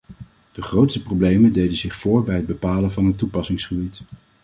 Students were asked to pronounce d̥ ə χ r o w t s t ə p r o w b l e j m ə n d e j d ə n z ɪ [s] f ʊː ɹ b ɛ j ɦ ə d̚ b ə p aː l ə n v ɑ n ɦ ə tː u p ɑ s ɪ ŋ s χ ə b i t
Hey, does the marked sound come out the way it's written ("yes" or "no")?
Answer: no